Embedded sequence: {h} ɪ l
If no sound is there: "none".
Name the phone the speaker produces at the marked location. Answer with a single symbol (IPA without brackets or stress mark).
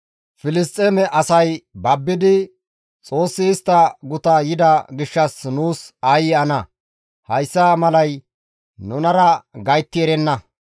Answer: f